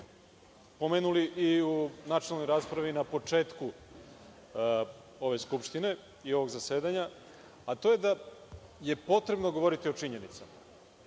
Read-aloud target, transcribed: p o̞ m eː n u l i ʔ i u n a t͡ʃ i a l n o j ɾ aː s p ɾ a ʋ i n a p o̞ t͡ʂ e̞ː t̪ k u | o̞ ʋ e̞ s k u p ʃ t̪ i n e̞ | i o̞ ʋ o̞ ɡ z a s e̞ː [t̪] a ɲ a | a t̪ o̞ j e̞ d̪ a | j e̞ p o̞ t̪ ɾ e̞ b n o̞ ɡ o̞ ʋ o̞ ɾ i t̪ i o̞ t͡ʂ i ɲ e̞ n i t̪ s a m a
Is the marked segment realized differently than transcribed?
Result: yes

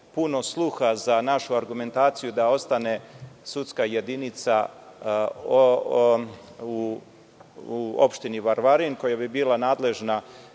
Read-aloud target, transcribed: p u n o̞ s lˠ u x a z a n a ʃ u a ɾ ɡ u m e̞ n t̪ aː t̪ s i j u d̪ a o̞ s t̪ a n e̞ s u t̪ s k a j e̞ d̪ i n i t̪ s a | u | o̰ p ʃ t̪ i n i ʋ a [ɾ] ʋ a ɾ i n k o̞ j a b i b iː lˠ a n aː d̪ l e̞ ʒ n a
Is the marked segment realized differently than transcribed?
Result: no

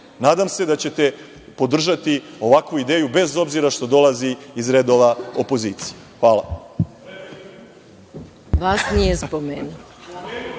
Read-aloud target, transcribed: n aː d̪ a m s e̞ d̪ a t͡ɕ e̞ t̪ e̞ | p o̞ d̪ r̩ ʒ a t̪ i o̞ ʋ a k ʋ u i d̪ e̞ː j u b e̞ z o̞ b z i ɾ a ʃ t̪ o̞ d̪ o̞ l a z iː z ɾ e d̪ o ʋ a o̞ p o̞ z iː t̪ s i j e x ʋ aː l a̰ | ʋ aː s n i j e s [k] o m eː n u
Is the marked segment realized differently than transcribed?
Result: yes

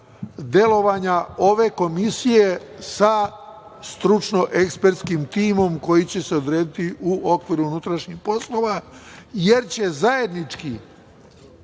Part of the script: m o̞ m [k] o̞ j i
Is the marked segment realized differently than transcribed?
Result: no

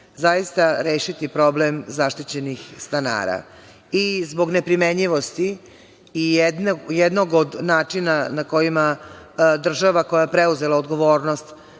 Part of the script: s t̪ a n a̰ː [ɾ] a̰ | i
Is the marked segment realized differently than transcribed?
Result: no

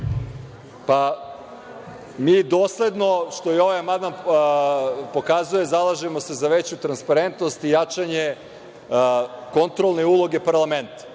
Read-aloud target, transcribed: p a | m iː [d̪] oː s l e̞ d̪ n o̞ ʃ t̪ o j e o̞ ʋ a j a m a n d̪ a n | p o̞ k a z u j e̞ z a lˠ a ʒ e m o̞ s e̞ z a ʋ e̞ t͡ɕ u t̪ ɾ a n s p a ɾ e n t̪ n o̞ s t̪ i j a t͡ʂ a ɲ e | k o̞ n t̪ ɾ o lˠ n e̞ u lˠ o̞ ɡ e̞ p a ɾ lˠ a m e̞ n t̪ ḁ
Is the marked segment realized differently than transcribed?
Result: no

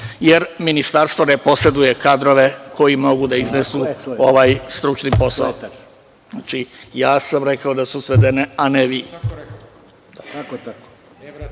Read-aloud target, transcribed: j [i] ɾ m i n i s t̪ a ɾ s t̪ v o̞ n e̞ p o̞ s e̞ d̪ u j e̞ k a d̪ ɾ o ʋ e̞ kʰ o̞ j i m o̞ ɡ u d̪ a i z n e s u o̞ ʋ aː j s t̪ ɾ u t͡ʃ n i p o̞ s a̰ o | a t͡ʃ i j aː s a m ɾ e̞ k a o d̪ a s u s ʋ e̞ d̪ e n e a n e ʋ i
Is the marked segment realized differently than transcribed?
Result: yes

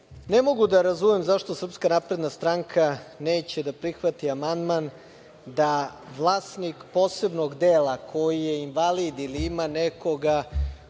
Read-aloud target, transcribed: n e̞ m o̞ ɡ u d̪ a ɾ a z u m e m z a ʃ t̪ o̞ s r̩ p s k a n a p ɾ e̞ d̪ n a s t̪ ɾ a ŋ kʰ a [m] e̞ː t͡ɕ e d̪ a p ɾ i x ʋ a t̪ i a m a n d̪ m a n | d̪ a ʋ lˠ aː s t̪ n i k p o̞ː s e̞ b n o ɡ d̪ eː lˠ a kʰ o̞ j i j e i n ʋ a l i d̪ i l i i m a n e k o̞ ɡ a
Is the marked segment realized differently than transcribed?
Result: yes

